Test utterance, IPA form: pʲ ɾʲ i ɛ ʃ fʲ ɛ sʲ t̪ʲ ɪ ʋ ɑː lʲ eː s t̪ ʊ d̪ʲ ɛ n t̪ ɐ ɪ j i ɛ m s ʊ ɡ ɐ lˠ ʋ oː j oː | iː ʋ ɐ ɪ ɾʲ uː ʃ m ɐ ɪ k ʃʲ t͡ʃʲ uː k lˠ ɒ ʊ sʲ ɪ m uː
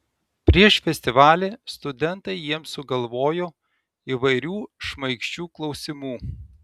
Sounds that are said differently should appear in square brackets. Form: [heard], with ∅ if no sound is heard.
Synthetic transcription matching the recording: pʲ ɾʲ i ɛ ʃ fʲ ɛ sʲ t̪ʲ ɪ ʋ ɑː lʲ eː s t̪ ʊ d̪ʲ ɛ n t̪ ɐ ɪ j i ɛ m s ʊ ɡ ɐ lˠ ʋ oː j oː | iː ʋ ɐ ɪ ɾʲ uː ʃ m ɐ ɪ k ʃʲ t͡ʃʲ uː k lˠ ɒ ʊ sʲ ɪ m uː